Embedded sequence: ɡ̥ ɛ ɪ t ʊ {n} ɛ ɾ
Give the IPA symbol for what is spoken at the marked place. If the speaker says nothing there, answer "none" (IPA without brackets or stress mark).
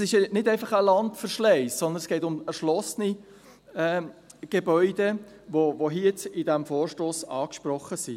m